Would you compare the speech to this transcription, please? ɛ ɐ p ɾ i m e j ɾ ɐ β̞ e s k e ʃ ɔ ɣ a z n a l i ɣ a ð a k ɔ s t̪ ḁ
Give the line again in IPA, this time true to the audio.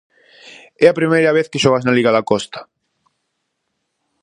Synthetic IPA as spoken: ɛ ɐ p ɾ i m e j ɾ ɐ β̞ e θ k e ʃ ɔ ɣ a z n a l i ɣ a ð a k ɔ s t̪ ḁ